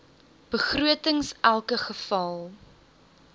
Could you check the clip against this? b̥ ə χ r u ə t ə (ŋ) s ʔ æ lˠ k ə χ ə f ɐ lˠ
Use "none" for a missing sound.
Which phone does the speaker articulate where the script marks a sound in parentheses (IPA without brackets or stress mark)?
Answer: ŋ